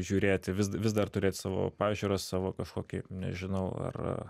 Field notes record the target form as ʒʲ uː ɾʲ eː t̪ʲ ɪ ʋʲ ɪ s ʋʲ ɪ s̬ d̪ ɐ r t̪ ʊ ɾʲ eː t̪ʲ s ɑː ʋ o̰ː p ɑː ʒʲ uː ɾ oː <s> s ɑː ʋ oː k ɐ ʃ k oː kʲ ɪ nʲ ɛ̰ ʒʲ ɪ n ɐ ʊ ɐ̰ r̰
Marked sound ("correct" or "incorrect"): correct